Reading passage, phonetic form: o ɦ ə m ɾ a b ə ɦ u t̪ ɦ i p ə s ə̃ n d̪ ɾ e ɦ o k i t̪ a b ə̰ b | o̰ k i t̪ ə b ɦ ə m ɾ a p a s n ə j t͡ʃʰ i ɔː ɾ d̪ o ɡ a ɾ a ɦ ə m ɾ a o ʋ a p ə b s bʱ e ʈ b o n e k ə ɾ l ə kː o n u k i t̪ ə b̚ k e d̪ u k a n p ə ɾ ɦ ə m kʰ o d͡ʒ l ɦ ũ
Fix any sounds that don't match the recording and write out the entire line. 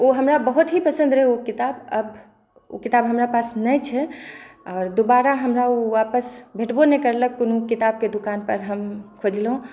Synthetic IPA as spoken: o ɦ ə m ɾ a b ə ɦ u t̪ ɦ i p ə s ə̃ n d̪ ɾ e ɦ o k i t̪ a b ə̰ b | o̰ k i t̪ a b ɦ ə m ɾ a p a s n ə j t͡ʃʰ ɛ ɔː ɾ d̪ o b a ɾ a ɦ ə m ɾ a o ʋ a p ə s bʱ e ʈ b o n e k ə ɾ l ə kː o n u k i t̪ a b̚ k e d̪ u k a n p ə ɾ ɦ ə m kʰ o d͡ʒ l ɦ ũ